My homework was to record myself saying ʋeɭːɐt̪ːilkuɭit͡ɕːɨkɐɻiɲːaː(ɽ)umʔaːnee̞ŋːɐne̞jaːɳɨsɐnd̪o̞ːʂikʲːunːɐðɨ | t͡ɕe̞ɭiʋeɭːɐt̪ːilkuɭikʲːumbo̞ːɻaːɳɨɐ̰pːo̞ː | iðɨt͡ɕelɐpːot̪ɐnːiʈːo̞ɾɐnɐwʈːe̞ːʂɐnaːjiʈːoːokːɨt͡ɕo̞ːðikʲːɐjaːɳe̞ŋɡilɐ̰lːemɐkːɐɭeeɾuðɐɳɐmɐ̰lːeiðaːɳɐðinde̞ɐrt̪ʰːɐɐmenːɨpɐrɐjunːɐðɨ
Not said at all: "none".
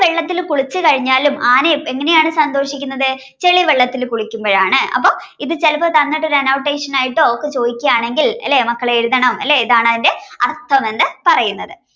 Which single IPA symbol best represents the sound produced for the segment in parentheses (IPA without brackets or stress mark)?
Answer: l